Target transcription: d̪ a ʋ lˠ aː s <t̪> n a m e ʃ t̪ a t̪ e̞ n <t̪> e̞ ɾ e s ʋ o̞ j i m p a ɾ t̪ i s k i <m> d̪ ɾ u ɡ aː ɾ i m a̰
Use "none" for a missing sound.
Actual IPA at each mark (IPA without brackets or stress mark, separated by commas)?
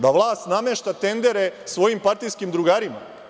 t̪, d̪, m